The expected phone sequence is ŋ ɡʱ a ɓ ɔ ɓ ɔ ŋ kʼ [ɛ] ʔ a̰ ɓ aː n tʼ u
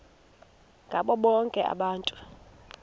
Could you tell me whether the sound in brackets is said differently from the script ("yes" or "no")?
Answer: no